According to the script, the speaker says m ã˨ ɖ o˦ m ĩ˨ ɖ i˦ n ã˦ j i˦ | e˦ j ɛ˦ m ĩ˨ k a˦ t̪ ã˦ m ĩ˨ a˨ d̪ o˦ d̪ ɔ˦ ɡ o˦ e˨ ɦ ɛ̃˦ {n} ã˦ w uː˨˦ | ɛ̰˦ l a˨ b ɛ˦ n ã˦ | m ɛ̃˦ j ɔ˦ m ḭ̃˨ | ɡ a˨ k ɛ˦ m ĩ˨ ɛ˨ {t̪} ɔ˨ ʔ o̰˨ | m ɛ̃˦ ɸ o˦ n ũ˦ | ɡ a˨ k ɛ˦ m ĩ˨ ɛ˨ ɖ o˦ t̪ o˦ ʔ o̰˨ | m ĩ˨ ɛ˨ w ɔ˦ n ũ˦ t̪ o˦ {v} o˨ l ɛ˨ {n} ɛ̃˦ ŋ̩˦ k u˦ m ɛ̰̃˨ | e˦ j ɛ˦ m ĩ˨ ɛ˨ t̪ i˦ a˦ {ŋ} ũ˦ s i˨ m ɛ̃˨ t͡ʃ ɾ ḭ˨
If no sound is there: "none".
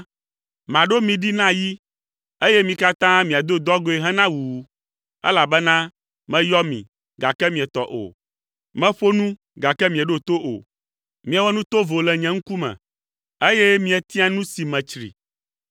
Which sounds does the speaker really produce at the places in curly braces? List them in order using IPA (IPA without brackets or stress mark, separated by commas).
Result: n, t̪, v, ɲ, n